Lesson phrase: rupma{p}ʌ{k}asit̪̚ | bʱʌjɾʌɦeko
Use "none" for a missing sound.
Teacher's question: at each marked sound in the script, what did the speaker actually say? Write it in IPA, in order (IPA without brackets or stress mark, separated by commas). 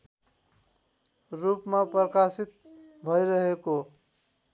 p, k